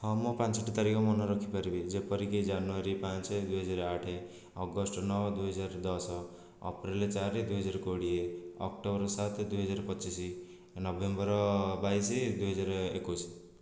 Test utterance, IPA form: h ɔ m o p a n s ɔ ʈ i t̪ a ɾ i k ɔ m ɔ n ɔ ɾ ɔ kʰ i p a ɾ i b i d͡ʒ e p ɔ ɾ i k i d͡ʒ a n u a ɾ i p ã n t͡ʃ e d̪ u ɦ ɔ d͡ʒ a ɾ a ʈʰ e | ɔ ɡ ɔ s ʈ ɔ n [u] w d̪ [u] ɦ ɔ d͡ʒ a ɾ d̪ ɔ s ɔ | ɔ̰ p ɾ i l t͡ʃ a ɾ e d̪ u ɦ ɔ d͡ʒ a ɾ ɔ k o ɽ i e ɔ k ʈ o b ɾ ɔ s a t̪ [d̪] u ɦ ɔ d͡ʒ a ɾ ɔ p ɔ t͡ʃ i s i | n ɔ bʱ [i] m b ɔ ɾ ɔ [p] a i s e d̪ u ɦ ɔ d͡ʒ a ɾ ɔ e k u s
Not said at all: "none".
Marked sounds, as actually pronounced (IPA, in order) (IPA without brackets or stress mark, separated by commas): ɔ, u, d̪, e, b